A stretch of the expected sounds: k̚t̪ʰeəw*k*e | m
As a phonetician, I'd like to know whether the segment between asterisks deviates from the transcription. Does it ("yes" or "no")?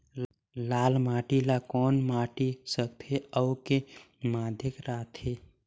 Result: no